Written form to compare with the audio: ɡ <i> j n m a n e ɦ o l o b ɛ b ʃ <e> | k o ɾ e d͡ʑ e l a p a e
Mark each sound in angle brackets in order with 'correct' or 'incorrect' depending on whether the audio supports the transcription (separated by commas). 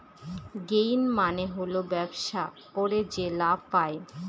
incorrect, incorrect